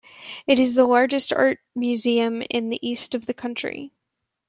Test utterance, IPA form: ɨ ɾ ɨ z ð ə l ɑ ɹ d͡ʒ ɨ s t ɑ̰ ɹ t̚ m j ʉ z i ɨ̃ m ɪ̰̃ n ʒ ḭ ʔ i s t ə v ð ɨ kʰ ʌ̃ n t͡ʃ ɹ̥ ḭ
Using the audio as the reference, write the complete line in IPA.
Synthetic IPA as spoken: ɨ ɾ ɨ z ð ə l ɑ ɹ d͡ʒ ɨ s t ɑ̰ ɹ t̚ m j ʉ z i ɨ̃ m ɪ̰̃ n ð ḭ ʔ i s t ʌ v ð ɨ kʰ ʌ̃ n t͡ʃ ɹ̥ ḭ